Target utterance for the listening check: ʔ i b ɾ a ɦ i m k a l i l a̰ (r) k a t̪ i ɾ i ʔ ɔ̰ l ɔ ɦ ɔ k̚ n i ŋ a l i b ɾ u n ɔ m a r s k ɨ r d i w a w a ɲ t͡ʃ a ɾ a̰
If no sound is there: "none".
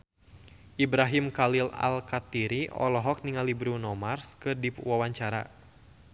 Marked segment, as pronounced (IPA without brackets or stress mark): l